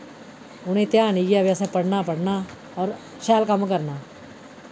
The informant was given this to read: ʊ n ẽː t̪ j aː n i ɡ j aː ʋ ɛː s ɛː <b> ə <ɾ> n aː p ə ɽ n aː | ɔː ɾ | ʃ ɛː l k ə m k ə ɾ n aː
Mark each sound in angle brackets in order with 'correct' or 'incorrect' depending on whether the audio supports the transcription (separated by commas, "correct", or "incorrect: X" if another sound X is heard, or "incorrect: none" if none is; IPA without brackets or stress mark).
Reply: incorrect: p, incorrect: ɽ